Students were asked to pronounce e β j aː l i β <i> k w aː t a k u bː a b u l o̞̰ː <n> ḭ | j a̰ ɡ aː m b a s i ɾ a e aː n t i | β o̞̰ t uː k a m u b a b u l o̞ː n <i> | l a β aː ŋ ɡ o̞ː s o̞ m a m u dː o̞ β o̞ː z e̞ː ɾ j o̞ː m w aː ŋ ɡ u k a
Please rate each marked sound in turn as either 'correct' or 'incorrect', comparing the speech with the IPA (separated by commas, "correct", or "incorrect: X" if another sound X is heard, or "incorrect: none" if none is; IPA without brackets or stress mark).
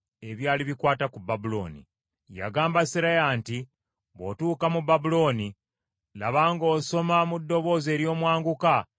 correct, correct, correct